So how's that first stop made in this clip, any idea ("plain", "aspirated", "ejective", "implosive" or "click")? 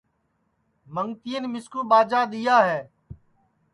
plain